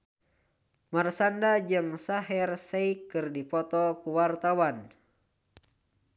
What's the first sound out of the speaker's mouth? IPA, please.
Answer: m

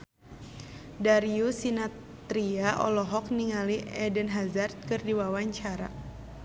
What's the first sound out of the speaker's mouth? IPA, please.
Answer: d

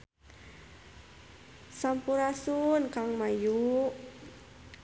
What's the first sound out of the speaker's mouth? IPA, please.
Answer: s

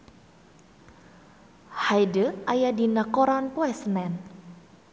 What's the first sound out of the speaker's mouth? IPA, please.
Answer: h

